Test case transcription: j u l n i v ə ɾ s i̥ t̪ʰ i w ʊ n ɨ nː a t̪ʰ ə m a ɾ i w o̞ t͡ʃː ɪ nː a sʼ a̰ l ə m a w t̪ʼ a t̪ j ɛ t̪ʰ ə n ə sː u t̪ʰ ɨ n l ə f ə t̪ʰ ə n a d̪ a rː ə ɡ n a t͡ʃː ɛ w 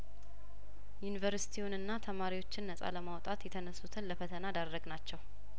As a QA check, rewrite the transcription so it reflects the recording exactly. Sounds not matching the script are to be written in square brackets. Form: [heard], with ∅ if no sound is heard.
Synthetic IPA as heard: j u [∅] n i v ə ɾ s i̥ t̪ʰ i w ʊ n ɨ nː a t̪ʰ ə m a ɾ i w o̞ t͡ʃː ɪ nː [ə] sʼ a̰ l ə m a w t̪ʼ a t̪ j ɛ t̪ʰ ə n ə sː u t̪ʰ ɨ n l ə f ə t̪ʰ ə n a d̪ a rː ə ɡ n a t͡ʃː ɛ w